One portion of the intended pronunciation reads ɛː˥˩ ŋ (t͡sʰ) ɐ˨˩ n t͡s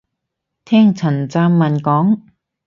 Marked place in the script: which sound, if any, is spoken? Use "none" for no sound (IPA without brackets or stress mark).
t͡sʰ